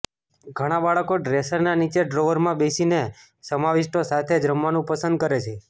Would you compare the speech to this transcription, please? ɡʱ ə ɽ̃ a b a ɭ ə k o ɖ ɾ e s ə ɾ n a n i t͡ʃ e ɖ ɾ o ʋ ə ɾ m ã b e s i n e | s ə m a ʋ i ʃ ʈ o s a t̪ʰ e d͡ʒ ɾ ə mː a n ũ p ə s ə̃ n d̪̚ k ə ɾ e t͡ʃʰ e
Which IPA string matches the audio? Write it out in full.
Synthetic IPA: ɡʱ ə ɽ̃ a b a ɭ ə k o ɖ ɾ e s ə ɾ n a n i t͡ʃ e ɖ ɾ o ʋ ə ɾ m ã b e s i n e | s ə m a ʋ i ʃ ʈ o s a t̪ʰ e d͡ʒ ɾ ə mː a n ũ p ə s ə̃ n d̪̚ k ə ɾ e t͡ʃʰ e